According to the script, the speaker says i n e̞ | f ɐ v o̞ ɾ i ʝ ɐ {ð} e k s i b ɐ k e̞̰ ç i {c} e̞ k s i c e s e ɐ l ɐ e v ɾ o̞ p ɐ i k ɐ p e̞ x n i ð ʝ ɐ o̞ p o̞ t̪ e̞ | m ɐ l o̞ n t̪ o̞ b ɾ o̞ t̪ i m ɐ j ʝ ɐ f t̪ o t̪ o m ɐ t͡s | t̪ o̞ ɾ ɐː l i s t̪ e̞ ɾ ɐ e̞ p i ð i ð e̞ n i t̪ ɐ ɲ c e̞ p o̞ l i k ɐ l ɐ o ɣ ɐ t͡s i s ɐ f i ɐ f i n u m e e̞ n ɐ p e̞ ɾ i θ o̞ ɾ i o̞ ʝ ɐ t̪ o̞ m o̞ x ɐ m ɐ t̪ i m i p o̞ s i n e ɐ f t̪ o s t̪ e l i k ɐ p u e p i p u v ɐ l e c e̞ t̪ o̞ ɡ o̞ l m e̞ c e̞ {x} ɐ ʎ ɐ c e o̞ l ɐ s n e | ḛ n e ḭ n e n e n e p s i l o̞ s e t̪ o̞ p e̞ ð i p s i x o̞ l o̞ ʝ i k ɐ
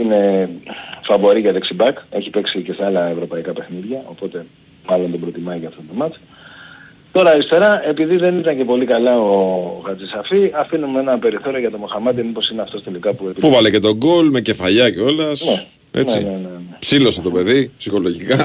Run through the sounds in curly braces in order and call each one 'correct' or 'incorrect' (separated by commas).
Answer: correct, incorrect, incorrect